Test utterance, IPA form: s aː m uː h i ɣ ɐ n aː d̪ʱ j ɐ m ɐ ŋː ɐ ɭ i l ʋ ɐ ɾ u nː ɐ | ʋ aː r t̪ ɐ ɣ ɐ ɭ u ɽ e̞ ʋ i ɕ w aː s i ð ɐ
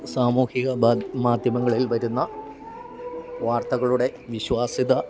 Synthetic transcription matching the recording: s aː m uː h i ɣ ɐ m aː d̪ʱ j ɐ m ɐ ŋː ɐ ɭ i l ʋ ɐ ɾ u nː ɐ | ʋ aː r t̪ ɐ ɣ ɐ ɭ u ɽ e̞ ʋ i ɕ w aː s i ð ɐ